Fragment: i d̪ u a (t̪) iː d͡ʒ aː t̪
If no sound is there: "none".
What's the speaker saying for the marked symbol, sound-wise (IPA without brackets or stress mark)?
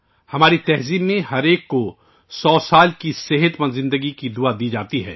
d̪